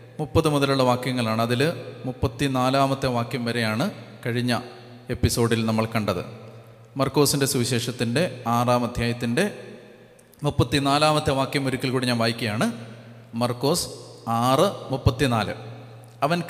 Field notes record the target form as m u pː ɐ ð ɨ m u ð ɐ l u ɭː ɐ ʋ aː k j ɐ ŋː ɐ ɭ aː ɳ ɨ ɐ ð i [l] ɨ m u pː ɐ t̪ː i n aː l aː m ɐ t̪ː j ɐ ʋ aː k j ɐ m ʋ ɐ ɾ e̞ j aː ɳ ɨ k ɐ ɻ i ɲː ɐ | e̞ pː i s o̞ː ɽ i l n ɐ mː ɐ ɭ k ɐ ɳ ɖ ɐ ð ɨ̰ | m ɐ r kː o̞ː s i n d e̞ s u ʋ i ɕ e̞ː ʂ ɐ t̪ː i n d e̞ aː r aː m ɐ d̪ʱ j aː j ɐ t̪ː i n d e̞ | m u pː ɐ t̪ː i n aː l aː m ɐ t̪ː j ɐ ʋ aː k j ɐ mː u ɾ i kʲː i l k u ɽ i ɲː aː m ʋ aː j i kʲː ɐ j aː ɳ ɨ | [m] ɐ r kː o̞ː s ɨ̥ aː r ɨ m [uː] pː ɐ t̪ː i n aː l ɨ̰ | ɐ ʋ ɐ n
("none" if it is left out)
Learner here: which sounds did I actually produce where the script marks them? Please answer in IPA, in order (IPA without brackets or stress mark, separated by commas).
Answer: l, m, u